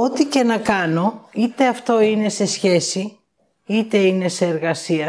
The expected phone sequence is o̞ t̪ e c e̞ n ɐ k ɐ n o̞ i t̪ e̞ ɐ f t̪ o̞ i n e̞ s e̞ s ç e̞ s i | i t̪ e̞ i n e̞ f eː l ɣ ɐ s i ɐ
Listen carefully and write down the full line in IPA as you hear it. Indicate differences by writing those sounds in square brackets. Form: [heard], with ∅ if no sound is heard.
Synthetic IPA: o̞ t̪ [i] c e̞ n ɐ k ɐ n o̞ i t̪ e̞ ɐ f t̪ o̞ i n e̞ s e̞ s ç e̞ s i | i t̪ e̞ i n e̞ [s] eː [ɾ] ɣ ɐ s i ɐ